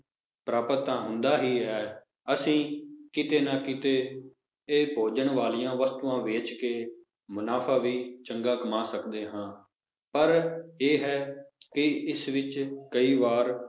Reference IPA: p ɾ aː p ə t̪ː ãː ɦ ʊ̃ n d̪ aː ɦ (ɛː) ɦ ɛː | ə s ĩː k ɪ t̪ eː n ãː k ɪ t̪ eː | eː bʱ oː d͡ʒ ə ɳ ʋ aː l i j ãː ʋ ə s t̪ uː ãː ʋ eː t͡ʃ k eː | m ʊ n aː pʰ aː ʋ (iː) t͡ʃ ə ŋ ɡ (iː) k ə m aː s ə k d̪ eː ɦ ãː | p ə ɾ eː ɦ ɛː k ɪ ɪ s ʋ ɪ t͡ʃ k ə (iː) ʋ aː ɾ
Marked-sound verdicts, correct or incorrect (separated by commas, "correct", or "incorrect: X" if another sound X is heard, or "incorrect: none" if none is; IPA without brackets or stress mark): incorrect: iː, correct, incorrect: aː, correct